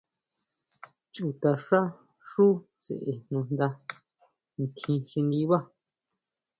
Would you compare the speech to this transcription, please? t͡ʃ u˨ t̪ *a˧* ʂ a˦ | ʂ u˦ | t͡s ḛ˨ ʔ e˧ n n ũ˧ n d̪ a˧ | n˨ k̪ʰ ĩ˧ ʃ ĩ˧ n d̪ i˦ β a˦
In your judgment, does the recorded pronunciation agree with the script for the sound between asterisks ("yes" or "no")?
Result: yes